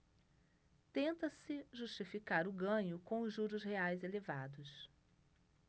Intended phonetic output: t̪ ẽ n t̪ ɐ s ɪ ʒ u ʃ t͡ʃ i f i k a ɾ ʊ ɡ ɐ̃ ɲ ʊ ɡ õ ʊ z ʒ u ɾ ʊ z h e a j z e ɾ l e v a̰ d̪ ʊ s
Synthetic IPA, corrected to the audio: t̪ ẽ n t̪ ɐ s ɪ ʒ u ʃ t͡ʃ i f i k a ɾ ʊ ɡ ɐ̃ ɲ ʊ k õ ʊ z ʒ u ɾ ʊ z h e a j z e l e v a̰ d̪ ʊ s